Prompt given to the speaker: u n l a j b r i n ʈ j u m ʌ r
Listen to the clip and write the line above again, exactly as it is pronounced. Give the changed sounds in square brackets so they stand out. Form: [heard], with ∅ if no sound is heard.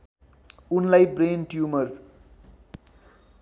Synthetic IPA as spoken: u n l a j b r [e] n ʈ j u m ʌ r